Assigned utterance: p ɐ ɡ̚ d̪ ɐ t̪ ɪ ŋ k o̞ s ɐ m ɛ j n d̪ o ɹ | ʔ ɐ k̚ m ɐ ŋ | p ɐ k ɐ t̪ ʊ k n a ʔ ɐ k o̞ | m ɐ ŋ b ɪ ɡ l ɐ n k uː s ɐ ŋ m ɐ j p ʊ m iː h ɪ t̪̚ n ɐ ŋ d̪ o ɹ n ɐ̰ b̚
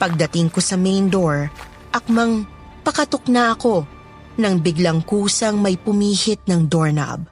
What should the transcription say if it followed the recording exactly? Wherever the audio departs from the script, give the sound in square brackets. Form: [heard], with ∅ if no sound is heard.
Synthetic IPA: p ɐ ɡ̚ d̪ ɐ t̪ ɪ ŋ k o̞ s ɐ m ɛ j n d̪ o ɹ | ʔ ɐ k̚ m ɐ ŋ | p ɐ k ɐ t̪ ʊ k n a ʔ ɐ k o̞ | [n] ɐ ŋ b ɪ ɡ l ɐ [ŋ] k uː s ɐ ŋ m ɐ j p ʊ m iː h ɪ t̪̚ n ɐ ŋ d̪ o ɹ n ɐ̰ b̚